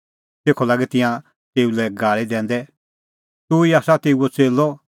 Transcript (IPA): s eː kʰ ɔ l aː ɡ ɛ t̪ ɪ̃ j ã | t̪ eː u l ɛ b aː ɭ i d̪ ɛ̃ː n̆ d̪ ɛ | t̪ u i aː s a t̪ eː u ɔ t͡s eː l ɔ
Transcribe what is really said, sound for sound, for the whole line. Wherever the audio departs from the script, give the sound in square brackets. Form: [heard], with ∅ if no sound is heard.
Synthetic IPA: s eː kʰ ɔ l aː ɡ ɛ t̪ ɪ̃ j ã | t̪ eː u l ɛ [ɡ] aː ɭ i d̪ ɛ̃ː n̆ d̪ ɛ | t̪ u i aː s a t̪ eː u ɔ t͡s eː l ɔ